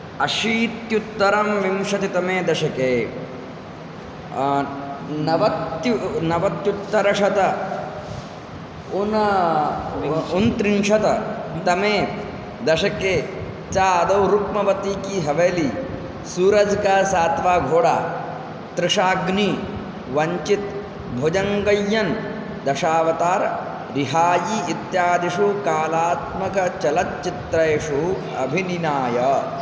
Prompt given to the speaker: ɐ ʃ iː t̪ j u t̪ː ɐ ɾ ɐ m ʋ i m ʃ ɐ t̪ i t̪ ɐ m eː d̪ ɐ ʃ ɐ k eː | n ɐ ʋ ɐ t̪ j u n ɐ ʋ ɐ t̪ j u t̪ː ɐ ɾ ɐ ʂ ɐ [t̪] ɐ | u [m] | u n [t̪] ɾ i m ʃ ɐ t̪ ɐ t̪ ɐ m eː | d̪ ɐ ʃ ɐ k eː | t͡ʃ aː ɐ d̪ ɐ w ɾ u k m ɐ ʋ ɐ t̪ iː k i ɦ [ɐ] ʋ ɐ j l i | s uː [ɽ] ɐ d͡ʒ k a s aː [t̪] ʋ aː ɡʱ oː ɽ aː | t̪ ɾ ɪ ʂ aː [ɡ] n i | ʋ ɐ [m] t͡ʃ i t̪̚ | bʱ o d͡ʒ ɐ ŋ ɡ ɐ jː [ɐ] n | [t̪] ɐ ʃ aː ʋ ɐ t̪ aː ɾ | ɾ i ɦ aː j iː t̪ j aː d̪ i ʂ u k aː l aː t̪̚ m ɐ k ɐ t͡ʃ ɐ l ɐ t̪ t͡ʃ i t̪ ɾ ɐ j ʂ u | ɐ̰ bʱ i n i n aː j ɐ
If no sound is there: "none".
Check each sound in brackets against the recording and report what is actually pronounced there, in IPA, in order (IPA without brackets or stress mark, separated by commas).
t̪, n, t̪, ɐ, ɾ, t̪, ɡ, ɲ, ɐ, d̪